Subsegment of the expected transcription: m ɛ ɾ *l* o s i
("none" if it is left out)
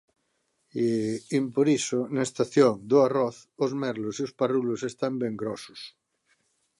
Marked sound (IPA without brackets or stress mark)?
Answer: l